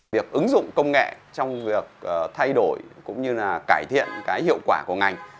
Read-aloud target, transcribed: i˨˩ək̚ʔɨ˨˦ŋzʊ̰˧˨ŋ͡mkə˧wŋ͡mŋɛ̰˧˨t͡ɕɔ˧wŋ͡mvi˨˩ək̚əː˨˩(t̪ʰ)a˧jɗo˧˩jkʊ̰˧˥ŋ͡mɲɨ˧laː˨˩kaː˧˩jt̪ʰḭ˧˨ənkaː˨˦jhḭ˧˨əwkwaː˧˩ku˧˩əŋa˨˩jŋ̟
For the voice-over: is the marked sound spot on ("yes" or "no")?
yes